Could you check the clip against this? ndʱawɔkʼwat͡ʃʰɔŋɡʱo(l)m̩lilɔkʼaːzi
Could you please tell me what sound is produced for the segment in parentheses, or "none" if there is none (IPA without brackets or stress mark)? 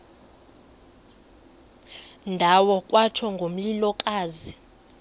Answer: none